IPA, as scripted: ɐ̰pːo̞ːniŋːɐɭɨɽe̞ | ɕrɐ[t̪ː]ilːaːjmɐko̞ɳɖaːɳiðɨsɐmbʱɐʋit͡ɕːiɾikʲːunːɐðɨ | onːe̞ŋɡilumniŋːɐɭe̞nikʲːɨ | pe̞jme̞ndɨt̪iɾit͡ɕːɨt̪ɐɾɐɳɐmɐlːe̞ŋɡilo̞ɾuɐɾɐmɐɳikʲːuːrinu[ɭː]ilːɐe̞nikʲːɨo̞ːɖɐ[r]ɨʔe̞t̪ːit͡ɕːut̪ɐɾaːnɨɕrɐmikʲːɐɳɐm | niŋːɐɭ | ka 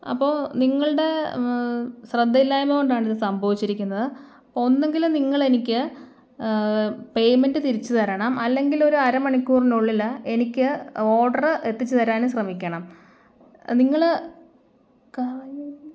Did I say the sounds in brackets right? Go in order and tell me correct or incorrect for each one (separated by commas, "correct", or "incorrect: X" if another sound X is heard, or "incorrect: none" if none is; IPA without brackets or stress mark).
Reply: incorrect: d̪ː, correct, correct